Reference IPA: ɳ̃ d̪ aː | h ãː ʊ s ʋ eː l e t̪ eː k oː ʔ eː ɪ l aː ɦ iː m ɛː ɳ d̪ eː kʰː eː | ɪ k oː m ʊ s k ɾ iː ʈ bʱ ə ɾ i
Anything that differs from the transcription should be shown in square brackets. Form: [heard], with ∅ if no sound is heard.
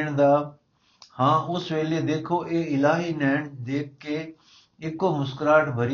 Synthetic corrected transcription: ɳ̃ d̪ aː | h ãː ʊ s ʋ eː l e [d̪] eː [kʰ] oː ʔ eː ɪ l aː ɦ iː [n] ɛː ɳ d̪ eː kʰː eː | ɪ k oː m ʊ s k ɾ [aː] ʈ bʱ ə ɾ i